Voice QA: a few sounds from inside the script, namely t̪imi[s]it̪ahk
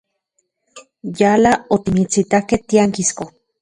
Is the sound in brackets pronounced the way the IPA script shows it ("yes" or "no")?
no